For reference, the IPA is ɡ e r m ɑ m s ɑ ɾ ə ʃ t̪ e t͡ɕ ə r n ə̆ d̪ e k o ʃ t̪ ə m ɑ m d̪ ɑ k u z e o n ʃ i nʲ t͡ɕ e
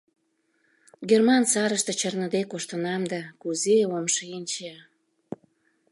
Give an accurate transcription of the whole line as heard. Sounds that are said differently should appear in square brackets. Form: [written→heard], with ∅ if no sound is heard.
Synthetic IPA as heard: ɡ e r m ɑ [m→n] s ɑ ɾ ə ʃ t̪ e t͡ɕ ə r n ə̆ d̪ e k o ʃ t̪ ə [m→n] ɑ m d̪ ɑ k u z e o [n→m] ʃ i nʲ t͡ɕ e